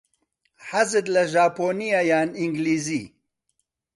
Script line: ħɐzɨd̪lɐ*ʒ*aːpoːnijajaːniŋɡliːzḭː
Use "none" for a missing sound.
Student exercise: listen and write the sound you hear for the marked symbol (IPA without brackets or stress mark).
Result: ʒ